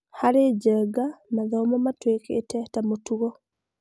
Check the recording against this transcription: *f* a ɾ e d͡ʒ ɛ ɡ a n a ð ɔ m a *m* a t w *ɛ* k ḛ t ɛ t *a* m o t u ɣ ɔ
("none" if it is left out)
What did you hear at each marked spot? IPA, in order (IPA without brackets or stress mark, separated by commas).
h, m, e, a